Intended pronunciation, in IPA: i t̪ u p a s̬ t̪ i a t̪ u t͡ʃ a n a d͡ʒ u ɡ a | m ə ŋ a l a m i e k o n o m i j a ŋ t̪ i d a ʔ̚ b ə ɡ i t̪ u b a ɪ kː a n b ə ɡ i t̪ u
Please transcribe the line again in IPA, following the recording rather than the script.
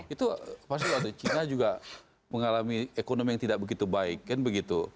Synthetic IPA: i t̪ u p a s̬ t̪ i a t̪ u t͡ʃ i n a d͡ʒ u ɡ a | m ə ŋ a l a m i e k o n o m i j a ŋ t̪ i d a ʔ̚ b ə ɡ i t̪ u b a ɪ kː a n b ə ɡ i t̪ u